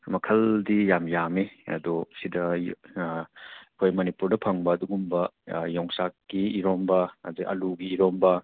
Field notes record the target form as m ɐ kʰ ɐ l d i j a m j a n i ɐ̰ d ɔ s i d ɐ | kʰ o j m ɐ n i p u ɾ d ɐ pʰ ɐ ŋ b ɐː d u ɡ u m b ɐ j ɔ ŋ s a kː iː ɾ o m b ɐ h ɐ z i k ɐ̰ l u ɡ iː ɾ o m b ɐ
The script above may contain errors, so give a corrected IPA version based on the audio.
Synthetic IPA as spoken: m ɐ kʰ ɐ l d i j a m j a m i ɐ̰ d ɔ s i d ɐ | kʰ o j m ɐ n i p u ɾ d ɐ pʰ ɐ ŋ b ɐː d u ɡ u m b ɐ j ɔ ŋ s a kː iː ɾ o m b ɐ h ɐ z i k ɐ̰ l u ɡ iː ɾ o m b ɐ